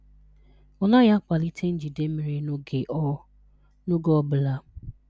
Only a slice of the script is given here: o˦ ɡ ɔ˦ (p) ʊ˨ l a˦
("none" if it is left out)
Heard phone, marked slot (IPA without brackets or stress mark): b